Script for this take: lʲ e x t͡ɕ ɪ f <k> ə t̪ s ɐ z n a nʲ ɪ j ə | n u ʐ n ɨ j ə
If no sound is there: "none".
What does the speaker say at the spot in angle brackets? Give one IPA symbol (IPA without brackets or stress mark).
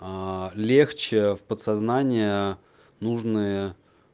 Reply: p